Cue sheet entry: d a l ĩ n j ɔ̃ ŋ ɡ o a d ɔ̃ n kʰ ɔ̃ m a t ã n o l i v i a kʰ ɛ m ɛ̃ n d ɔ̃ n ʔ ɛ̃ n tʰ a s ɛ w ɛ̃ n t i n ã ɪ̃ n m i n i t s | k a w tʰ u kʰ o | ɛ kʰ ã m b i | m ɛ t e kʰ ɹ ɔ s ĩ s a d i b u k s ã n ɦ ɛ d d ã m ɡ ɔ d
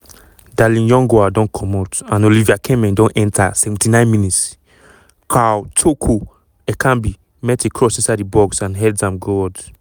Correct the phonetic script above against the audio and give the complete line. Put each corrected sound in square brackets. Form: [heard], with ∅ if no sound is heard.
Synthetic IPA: d a l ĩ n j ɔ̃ ŋ ɡ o a d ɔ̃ n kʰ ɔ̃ m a t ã n o l i v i a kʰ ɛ m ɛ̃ n d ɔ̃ n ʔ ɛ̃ n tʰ a s ɛ [v] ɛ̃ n t i n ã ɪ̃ n m i n i t s | k a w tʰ [o] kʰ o | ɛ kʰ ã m b i | m ɛ t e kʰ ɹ ɔ s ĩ s a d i b [ɔ] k s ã n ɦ ɛ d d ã m ɡ ɔ d